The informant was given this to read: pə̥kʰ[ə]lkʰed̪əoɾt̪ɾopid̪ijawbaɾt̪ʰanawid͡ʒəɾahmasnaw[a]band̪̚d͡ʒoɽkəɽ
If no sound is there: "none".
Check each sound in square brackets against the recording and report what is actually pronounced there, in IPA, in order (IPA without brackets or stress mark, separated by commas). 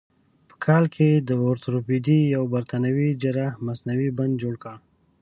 ɑ, i